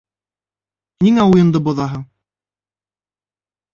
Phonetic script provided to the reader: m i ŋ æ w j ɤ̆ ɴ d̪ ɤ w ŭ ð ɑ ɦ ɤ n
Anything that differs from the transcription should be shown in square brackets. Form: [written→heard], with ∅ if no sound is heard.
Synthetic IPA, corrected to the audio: [m→n] i ŋ æ [w→u] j ɤ̆ [ɴ→n] d̪ ɤ [w→b] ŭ ð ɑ ɦ ɤ [n→ɴ]